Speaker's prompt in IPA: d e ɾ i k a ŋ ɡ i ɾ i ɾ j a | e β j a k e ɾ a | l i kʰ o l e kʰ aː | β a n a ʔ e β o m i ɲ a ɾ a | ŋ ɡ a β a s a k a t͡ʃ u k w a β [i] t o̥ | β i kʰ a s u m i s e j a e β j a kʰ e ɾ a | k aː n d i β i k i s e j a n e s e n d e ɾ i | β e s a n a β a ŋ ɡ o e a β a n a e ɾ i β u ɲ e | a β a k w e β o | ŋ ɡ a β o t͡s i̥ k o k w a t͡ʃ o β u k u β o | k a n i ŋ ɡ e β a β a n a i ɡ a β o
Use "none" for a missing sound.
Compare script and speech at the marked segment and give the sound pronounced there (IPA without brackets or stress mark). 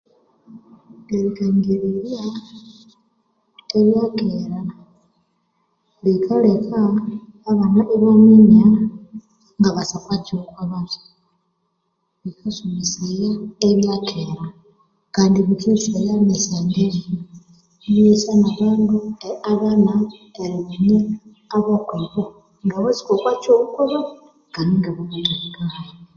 a